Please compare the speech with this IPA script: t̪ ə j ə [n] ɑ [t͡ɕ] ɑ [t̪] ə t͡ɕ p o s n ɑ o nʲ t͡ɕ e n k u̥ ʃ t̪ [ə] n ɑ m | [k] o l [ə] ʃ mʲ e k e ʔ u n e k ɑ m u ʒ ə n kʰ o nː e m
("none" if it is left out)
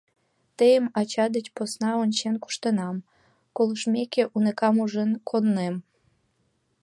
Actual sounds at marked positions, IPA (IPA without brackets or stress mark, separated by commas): m, t͡ɕ, d̪, ə, k, ə